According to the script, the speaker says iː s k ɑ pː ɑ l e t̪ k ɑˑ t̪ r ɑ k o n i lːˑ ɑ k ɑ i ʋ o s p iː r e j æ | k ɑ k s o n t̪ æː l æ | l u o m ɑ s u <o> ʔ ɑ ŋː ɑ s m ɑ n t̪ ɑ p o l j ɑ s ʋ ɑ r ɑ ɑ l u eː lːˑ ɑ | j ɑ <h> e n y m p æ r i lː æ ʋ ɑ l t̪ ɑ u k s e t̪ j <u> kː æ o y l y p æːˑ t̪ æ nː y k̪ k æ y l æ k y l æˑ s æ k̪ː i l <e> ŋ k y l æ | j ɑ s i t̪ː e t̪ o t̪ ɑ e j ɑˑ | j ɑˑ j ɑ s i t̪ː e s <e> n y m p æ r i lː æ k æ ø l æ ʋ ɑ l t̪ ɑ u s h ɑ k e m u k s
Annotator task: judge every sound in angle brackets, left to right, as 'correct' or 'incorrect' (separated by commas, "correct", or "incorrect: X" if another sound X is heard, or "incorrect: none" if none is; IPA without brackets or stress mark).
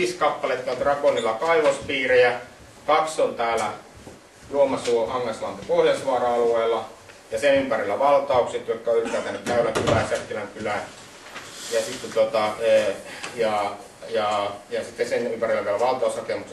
correct, incorrect: s, incorrect: o, incorrect: æ, correct